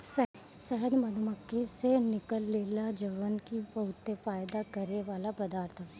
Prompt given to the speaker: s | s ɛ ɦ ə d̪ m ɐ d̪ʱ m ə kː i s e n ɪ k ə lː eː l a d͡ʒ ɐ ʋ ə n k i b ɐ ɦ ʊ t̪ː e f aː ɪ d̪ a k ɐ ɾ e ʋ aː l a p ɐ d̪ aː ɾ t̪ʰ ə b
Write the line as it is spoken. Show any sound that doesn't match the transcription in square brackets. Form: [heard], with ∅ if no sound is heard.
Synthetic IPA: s | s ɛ ɦ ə d̪ m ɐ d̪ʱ m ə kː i s e n ɪ k ə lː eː l a d͡ʒ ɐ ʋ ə n k i b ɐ ɦ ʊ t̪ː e f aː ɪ d̪ a k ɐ ɾ e ʋ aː l a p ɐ d̪ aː ɾ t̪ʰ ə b